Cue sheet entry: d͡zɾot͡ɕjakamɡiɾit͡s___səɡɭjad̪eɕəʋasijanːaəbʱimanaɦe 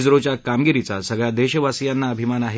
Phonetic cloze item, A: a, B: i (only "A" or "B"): A